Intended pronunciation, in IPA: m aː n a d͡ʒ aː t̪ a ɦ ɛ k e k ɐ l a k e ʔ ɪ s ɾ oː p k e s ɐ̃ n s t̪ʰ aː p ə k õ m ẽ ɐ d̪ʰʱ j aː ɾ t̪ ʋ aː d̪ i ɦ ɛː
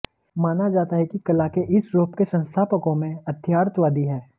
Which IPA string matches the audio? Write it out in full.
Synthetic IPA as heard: m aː n a d͡ʒ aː t̪ a ɦ ɛ k i k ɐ l a k e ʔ ɪ s ɾ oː p k e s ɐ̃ n s t̪ʰ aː p ə k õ m ẽ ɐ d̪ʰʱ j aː ɾ t̪ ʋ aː d̪ i ɦ ɛː